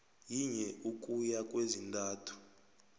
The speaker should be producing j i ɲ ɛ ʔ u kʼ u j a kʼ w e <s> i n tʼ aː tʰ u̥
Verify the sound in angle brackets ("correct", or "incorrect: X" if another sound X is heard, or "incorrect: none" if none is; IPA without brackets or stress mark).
incorrect: z